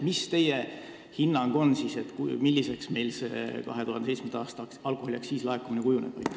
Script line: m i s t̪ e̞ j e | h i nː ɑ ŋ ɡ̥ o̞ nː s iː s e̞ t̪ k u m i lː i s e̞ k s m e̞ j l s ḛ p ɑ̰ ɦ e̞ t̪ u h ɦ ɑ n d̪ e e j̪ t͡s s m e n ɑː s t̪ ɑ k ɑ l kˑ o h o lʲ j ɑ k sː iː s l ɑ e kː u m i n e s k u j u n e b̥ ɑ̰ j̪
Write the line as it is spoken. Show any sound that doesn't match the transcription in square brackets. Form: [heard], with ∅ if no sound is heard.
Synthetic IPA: m i s t̪ e̞ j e | h i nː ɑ ŋ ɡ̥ o̞ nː s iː s e̞ t̪ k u m i lː i s e̞ k s m e̞ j l s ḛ [k] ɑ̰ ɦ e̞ t̪ u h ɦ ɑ n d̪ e e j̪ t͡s s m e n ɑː s t̪ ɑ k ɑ l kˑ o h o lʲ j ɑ k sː iː s l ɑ e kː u m i n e [∅] k u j u n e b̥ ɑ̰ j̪